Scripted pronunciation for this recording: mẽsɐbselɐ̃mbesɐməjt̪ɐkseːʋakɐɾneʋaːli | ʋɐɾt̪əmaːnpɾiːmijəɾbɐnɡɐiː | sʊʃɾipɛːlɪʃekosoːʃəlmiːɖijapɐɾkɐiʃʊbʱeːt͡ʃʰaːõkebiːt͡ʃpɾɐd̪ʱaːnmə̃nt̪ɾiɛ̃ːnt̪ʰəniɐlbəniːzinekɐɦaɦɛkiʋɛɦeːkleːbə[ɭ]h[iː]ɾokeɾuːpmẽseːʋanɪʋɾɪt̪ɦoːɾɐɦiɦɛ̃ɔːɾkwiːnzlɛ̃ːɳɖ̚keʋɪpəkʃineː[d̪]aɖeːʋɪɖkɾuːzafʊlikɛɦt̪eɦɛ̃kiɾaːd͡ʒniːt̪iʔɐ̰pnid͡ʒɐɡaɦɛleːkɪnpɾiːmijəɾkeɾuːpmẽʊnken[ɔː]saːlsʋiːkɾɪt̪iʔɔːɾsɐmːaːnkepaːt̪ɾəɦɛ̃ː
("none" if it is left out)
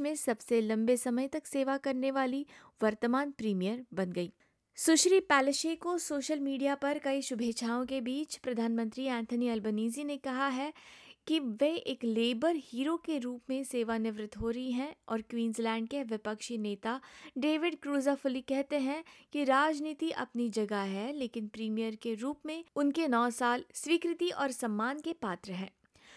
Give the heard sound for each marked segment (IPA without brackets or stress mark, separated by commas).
ɾ, iː, t̪, ɔː